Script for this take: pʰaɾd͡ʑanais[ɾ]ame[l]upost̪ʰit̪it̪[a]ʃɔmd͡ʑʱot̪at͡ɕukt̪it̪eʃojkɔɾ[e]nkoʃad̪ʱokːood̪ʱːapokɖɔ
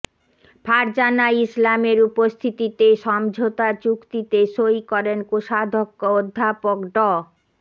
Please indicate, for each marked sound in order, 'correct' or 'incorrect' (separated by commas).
incorrect, incorrect, incorrect, correct